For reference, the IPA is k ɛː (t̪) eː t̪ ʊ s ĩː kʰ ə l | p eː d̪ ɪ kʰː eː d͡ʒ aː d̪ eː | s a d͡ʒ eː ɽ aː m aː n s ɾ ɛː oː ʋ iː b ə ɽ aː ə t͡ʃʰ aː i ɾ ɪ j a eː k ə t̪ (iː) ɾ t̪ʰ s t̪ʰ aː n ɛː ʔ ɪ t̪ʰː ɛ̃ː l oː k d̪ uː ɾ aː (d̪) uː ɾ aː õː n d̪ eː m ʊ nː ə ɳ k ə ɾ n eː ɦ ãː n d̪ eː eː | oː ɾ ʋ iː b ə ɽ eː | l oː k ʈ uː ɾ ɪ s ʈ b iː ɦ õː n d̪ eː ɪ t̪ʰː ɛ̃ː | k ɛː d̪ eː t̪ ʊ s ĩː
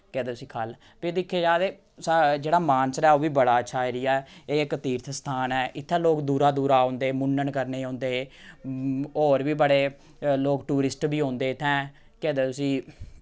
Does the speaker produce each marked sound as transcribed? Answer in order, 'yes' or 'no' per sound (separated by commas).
no, yes, yes